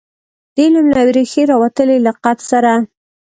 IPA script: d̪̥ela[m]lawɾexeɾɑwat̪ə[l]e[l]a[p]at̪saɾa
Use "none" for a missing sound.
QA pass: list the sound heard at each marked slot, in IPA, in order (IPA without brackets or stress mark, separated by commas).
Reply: m, l, l, q